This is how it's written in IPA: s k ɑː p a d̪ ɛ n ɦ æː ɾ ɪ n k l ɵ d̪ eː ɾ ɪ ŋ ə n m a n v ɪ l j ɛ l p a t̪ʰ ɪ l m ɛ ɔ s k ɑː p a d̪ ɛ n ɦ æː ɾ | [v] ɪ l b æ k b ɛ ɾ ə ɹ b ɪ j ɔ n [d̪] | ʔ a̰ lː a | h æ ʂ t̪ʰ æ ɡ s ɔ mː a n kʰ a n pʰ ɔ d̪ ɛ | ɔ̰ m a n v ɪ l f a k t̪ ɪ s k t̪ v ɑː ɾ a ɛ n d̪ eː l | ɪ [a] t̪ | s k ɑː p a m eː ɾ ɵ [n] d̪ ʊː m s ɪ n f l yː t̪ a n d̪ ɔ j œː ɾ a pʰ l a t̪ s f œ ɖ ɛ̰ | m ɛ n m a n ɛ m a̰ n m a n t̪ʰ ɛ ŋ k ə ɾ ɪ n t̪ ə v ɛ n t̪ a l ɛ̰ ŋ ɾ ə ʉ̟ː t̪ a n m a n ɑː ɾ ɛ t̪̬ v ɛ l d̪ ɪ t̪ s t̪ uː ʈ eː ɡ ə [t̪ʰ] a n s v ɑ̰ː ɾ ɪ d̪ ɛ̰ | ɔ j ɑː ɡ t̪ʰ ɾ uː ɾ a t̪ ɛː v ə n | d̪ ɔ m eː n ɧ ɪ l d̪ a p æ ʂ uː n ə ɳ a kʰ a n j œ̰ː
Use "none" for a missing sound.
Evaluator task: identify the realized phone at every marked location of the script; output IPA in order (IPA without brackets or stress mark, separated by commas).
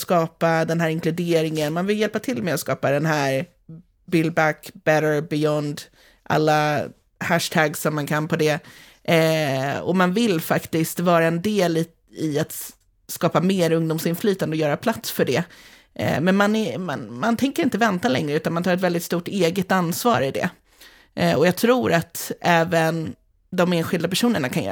b, d̪, a, ŋ, t̪